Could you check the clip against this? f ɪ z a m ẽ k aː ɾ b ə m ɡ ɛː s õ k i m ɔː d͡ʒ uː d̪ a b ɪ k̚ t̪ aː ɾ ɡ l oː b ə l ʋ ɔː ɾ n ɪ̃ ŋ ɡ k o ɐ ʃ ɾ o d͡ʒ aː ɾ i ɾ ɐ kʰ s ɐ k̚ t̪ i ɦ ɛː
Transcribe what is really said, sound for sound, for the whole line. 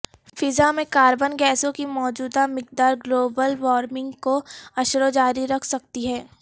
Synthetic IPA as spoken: f ɪ z a m ẽ k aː ɾ b ə n ɡ ɛː s õ k i m ɔː d͡ʒ uː d̪ a m ɪ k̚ d̪ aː ɾ ɡ l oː b ə l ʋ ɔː ɾ m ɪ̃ ŋ ɡ k o ɐ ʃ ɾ o d͡ʒ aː ɾ i ɾ ɐ kʰ s ɐ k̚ t̪ i ɦ ɛː